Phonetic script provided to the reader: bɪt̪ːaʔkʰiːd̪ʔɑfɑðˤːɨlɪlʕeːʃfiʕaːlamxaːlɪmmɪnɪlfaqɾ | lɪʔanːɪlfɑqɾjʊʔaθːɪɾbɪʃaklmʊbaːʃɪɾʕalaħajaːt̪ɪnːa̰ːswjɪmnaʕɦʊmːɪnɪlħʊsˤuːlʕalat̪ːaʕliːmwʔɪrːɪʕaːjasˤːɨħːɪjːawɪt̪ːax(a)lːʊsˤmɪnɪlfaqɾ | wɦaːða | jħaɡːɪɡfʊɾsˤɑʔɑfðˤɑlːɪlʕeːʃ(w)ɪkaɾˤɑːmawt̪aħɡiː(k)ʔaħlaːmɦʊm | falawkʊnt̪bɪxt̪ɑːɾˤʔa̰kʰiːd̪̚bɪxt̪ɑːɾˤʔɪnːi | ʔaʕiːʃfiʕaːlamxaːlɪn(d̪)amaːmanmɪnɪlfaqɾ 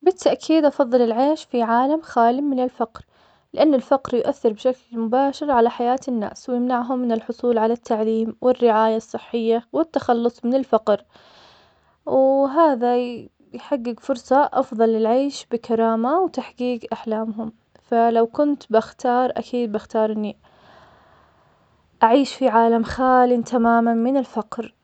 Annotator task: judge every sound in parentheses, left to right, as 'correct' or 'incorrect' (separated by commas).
incorrect, incorrect, incorrect, incorrect